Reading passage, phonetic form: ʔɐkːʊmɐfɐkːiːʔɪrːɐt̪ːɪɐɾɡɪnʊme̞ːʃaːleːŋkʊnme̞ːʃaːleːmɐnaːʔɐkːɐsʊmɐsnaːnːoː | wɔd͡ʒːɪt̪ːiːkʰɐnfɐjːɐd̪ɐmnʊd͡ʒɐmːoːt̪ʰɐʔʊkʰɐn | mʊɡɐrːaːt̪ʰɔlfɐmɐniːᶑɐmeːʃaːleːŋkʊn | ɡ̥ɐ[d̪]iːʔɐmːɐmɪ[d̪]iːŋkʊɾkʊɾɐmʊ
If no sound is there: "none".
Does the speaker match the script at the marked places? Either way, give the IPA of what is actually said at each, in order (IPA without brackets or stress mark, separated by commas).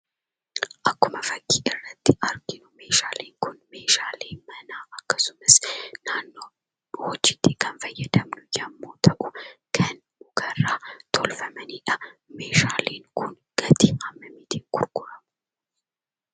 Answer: t̪, t̪